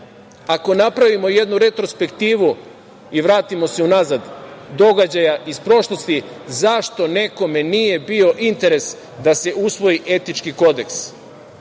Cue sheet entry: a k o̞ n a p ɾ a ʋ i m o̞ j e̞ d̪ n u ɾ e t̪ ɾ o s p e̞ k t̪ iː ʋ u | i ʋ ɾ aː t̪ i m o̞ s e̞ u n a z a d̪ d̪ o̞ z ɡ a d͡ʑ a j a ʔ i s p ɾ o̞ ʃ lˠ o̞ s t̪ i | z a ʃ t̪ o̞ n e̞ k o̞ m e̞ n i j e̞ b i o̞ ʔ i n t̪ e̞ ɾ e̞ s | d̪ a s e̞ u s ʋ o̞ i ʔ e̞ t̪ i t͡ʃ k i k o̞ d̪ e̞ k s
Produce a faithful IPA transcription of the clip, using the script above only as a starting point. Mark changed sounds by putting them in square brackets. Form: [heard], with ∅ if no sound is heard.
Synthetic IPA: a k o̞ n a p ɾ a ʋ i m o̞ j e̞ d̪ n u ɾ e t̪ ɾ o s p e̞ k t̪ iː ʋ u | i ʋ ɾ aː t̪ i m o̞ s e̞ u n a z a d̪ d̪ o̞ [∅] ɡ a d͡ʑ a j a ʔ i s p ɾ o̞ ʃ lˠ o̞ s t̪ i | z a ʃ t̪ o̞ n e̞ k o̞ m e̞ n i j e̞ b i o̞ ʔ i n t̪ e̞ ɾ e̞ s | d̪ a s e̞ u s ʋ o̞ i ʔ e̞ t̪ i t͡ʃ k i k o̞ d̪ e̞ k s